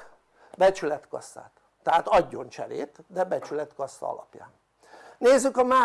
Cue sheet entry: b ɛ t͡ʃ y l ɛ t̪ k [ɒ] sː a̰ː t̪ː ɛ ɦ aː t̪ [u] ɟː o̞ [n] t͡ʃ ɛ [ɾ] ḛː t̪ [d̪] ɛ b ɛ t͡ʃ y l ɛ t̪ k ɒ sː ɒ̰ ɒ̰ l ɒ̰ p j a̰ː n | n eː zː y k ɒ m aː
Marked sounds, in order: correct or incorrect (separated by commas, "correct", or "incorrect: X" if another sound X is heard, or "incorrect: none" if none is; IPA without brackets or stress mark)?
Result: correct, incorrect: ɒ, correct, correct, correct